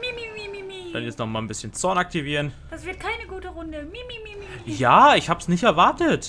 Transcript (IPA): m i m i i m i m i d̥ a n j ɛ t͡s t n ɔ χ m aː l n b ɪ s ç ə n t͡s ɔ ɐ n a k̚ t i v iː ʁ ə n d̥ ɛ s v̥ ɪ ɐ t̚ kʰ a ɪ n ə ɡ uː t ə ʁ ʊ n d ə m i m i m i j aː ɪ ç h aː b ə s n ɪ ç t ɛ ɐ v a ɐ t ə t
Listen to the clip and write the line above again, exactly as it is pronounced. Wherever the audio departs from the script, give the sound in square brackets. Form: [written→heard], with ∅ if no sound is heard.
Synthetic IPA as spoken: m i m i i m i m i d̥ a n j ɛ t͡s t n ɔ χ m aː l n b ɪ s ç ə n t͡s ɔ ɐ n a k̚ t i v iː ʁ ə n d̥ [ɛ→a] s v̥ ɪ ɐ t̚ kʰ a ɪ n ə ɡ uː t ə ʁ ʊ n d ə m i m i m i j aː ɪ ç h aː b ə s n ɪ ç t ɛ ɐ v a ɐ t ə t